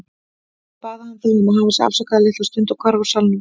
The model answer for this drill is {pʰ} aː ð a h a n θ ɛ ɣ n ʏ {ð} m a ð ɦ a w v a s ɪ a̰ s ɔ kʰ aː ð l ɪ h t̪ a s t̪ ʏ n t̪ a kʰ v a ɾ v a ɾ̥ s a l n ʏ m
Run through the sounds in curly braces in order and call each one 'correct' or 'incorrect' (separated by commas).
incorrect, incorrect